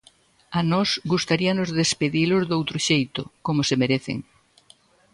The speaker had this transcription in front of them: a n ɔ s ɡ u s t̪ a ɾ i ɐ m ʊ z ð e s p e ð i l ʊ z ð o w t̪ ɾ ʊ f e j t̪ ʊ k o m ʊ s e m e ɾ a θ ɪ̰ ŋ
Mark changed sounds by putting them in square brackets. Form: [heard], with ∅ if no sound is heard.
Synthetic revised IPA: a n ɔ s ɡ u s t̪ a ɾ i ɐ [n] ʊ z ð e s p e ð i l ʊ z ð o w t̪ ɾ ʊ [ʃ] e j t̪ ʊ k o m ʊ s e m e ɾ [e] θ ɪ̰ ŋ